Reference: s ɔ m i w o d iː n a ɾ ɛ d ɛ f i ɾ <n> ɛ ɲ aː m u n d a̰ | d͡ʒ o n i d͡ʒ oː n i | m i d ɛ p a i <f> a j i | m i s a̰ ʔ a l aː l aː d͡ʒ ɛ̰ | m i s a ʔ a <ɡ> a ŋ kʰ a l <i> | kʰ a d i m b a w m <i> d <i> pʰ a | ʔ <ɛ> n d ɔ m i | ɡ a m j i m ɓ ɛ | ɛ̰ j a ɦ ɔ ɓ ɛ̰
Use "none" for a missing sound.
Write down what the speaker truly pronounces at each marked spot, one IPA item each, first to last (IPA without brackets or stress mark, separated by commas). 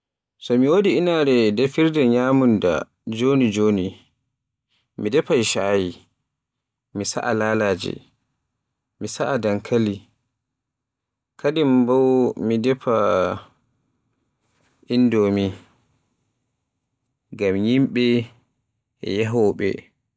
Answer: d, ʃ, d, i, i, ɛ, i